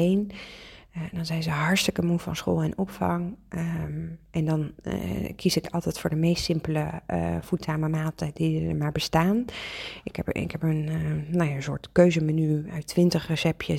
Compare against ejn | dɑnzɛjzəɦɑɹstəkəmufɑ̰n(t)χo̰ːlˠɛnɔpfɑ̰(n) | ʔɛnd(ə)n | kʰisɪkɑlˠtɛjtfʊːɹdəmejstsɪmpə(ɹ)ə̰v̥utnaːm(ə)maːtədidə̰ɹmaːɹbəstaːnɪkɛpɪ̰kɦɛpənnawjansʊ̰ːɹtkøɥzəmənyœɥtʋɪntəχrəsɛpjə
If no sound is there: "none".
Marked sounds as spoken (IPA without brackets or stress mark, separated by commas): s, ŋ, ɑ, l, ə